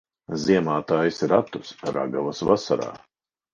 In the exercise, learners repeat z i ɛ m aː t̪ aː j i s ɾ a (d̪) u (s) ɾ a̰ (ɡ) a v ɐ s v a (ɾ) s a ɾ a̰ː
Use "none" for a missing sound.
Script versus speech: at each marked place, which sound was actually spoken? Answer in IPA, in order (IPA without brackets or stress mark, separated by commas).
t̪, s, ɡ, none